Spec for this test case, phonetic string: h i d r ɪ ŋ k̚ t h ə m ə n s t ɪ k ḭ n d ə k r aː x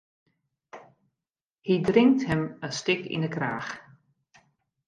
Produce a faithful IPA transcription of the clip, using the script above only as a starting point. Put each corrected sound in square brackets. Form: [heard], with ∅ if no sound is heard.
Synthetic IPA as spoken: h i d r ɪ ŋ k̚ t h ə m ə n s t ɪ k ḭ n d ə k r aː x